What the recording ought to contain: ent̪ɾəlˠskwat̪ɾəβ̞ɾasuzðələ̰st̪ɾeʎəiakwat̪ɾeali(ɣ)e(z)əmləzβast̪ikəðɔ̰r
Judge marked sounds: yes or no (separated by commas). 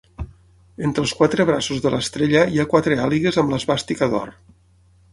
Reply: yes, yes